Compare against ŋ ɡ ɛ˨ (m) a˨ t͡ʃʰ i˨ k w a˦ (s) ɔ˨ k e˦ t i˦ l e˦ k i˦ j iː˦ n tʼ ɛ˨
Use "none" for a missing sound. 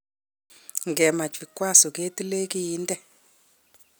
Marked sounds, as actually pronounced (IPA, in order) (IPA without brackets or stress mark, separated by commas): m, s